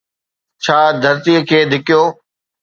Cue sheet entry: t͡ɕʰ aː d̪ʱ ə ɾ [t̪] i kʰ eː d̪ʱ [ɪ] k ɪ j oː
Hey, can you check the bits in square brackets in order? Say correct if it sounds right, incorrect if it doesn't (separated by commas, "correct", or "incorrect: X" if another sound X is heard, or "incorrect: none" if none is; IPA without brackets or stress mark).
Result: correct, correct